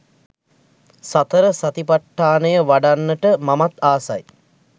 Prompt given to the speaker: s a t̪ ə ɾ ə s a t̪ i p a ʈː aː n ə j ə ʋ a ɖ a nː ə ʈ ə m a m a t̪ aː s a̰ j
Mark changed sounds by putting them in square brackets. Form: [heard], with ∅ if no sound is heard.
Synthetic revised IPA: s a t̪ ə ɾ ə s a t̪ i p a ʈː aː n ə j ə ʋ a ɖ a nː ə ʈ ə m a m a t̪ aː s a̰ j